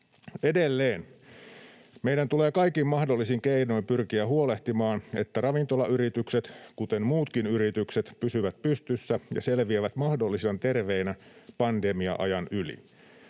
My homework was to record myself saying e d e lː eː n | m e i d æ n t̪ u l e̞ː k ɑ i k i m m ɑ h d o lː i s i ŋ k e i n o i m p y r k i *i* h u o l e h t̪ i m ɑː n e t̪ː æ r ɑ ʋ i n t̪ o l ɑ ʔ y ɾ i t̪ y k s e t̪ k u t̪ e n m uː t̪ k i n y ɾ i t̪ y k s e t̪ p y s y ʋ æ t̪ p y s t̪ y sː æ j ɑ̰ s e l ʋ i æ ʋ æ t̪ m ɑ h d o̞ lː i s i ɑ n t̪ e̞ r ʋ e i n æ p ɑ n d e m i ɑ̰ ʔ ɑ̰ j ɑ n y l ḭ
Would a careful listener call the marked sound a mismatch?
yes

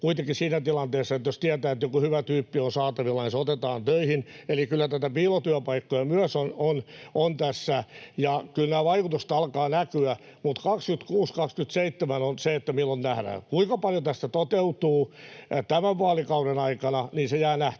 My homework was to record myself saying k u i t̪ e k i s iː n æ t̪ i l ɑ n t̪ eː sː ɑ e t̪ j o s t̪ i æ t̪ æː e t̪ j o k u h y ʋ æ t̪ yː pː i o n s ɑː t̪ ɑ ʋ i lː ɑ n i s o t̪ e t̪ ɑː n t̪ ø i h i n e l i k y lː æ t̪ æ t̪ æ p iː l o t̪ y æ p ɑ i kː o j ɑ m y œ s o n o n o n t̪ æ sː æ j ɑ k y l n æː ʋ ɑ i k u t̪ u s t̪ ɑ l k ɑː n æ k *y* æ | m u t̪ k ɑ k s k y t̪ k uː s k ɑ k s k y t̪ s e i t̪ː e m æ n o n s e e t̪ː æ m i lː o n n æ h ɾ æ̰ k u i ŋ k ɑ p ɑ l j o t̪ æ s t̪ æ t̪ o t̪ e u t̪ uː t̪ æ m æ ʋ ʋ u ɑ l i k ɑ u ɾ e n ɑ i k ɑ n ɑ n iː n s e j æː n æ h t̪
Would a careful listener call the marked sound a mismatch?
no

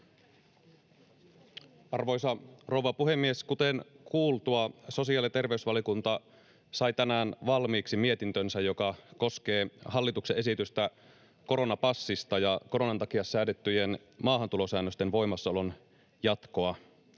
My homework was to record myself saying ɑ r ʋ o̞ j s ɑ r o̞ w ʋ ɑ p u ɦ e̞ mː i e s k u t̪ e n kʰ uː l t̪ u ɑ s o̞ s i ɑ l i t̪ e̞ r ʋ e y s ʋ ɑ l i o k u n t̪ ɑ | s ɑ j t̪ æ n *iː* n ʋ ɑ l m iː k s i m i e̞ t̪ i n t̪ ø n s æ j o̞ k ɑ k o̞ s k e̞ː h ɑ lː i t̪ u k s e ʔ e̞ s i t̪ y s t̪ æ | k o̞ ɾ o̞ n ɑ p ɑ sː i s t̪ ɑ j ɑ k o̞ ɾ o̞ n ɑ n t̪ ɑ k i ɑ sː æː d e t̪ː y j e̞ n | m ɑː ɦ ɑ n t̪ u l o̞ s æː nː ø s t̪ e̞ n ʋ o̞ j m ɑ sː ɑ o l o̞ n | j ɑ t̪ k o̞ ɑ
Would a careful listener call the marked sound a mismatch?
yes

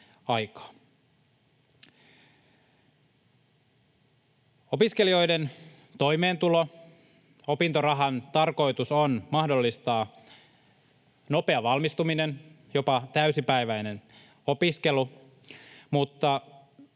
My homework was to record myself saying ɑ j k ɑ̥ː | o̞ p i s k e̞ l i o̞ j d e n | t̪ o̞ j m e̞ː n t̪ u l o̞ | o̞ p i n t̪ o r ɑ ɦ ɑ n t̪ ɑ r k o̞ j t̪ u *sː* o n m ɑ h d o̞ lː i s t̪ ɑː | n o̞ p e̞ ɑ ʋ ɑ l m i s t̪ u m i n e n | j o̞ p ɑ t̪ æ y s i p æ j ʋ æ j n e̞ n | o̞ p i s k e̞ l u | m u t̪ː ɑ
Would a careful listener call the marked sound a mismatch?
yes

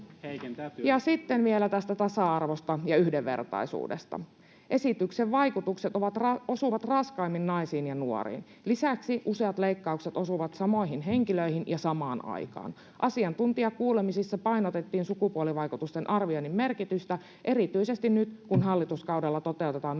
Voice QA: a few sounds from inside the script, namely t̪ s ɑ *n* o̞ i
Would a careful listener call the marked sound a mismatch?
yes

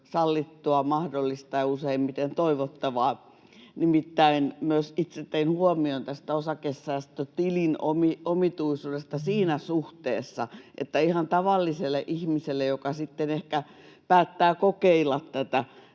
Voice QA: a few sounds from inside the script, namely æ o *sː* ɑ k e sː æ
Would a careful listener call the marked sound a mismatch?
yes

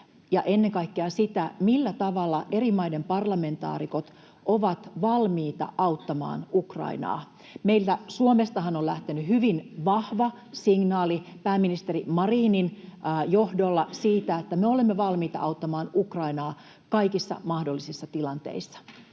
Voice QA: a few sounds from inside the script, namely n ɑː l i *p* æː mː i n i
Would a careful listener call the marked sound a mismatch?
no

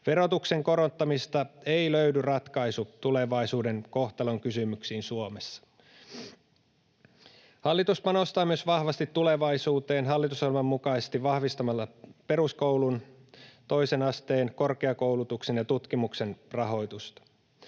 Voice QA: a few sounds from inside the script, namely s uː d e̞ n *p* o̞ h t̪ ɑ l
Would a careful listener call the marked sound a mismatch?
yes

